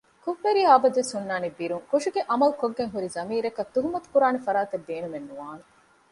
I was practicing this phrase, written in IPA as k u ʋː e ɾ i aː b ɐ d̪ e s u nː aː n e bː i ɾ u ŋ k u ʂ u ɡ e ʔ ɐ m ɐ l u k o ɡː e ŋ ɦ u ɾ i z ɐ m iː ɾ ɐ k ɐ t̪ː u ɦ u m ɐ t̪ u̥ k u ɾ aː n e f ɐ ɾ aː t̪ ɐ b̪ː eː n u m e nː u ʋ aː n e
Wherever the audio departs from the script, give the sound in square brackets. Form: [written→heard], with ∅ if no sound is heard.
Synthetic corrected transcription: k u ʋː e ɾ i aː b ɐ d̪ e s u nː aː n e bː i ɾ u ŋ k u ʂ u ɡ e ʔ ɐ m ɐ l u k o ɡː e ŋ ɦ u ɾ i z ɐ m iː ɾ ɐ k ɐ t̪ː u ɦ u m ɐ t̪ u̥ k u ɾ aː n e f ɐ ɾ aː t̪ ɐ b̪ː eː n u m e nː u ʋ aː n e